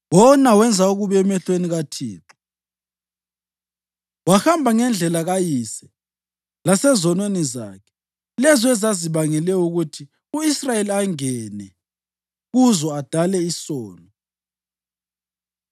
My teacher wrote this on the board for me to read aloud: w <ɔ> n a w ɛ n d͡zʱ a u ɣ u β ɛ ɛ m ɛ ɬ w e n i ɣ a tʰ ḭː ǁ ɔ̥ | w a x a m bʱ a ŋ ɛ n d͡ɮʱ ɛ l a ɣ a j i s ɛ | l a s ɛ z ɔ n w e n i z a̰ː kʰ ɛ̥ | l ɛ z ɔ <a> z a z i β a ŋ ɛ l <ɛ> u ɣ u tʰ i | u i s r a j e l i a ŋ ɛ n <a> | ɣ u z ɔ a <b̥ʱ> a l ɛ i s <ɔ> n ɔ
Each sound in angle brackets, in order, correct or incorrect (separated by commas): correct, incorrect, correct, incorrect, incorrect, incorrect